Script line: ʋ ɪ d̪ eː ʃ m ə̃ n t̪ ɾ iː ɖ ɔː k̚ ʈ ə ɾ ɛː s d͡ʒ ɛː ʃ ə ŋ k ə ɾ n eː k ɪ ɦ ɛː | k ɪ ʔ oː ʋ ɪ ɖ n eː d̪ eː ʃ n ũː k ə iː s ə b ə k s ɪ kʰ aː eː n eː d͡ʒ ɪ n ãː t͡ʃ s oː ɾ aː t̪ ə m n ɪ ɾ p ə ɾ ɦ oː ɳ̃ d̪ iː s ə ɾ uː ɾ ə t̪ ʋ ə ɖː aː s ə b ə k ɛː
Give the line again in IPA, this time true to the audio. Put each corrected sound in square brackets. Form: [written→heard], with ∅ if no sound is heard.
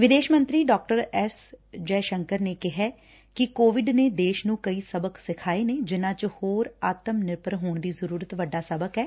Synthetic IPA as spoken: ʋ ɪ d̪ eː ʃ m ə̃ n t̪ ɾ iː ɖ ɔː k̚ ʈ ə ɾ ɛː s d͡ʒ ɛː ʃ ə ŋ k ə ɾ n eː k ɪ ɦ ɛː | k ɪ [ʔ→k] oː ʋ ɪ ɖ n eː d̪ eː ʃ n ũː k ə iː s ə b ə k s ɪ kʰ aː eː n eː d͡ʒ ɪ n ãː t͡ʃ [s→h] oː ɾ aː t̪ ə m n ɪ ɾ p ə ɾ ɦ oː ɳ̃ d̪ iː [s→z] ə ɾ uː ɾ ə t̪ ʋ ə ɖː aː s ə b ə k ɛː